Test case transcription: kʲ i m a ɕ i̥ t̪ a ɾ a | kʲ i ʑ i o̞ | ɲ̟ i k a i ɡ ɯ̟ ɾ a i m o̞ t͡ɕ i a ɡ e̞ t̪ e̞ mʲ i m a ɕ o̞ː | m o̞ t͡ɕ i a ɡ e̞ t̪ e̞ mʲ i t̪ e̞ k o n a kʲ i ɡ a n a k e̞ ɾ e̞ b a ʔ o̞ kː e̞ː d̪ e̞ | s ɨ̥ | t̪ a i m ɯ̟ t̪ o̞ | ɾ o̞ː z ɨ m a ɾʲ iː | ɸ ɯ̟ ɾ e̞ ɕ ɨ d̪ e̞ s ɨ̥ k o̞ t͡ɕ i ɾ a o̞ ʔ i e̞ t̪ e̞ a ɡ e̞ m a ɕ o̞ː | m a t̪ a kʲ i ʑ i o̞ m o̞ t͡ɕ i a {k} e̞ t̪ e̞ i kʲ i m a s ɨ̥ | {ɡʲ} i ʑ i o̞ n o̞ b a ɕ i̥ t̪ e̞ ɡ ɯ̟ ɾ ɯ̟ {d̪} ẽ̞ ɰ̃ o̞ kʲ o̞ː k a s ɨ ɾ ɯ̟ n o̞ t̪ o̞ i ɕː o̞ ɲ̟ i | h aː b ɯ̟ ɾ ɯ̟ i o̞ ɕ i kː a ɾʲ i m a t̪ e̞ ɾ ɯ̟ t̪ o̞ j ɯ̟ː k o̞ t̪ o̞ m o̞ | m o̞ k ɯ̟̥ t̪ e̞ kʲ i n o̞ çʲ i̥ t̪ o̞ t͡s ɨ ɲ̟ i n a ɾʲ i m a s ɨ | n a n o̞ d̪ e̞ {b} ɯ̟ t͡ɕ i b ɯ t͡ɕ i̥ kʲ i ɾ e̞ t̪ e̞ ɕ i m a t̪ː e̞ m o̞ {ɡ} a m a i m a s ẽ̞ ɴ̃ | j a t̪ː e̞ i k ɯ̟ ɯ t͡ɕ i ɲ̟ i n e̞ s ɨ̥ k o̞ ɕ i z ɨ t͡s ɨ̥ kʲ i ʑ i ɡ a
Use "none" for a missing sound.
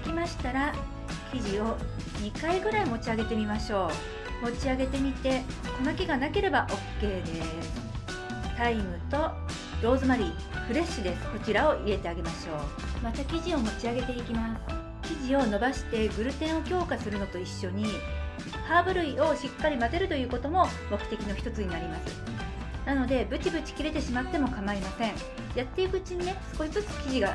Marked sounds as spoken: ɡ, kʲ, t̪, b, k

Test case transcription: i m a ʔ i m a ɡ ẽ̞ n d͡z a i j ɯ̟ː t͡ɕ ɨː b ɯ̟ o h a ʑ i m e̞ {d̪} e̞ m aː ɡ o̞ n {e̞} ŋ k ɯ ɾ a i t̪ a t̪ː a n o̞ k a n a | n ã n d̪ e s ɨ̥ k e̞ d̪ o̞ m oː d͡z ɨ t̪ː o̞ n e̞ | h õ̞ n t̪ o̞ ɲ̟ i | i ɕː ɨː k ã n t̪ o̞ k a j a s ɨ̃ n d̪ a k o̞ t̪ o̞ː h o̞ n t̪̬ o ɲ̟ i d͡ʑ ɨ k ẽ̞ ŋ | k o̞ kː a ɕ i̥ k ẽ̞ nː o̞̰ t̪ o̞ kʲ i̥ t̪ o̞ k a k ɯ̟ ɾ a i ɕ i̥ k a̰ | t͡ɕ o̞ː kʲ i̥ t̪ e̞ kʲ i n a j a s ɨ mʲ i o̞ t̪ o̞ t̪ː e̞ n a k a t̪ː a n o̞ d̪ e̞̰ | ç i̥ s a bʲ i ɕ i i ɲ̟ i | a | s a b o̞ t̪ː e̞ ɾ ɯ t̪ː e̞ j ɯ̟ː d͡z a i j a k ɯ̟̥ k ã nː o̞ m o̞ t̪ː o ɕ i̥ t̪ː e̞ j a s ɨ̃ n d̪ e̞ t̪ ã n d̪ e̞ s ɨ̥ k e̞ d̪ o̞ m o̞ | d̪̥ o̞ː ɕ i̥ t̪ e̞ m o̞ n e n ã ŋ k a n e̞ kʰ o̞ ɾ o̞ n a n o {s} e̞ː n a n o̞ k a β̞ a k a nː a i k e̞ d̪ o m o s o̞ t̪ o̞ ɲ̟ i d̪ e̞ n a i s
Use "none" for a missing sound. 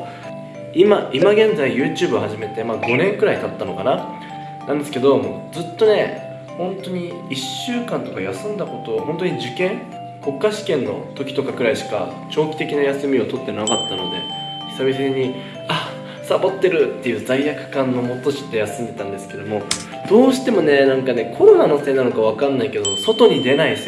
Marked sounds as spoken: t̪, ẽ̞, s

